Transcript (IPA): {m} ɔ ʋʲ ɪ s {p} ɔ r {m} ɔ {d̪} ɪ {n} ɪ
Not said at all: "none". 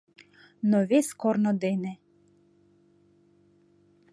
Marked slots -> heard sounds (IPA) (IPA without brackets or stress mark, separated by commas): n, k, n, d̪, n